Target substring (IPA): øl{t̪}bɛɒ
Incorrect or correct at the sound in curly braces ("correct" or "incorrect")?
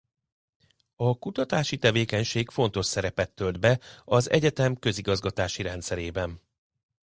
incorrect